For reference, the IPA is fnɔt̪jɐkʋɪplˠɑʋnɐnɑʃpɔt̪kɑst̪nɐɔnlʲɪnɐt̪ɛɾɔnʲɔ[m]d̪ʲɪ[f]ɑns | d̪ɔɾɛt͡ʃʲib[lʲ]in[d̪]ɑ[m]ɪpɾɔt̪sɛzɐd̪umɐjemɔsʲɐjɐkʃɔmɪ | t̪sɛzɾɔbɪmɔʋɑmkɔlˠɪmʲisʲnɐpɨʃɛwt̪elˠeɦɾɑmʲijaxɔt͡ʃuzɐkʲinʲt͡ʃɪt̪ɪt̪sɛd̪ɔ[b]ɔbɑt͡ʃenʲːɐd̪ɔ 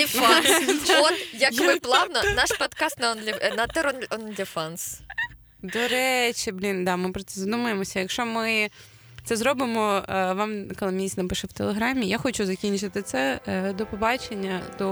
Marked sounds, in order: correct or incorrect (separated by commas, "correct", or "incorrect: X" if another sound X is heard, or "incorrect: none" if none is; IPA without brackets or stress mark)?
incorrect: n, correct, correct, correct, correct, incorrect: p